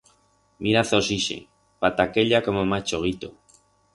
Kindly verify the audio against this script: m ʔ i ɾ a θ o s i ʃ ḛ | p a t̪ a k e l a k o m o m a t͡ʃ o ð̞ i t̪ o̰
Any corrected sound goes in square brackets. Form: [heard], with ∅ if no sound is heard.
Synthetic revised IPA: m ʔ i ɾ a θ o s i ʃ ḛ | p a t̪ a k e [ʎ] a k o m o m a t͡ʃ o [ɣ̞] i t̪ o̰